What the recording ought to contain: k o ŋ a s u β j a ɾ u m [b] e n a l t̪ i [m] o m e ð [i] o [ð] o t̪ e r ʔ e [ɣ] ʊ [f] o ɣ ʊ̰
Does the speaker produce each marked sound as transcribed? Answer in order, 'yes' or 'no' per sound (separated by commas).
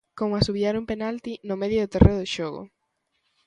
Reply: no, no, no, yes, no, no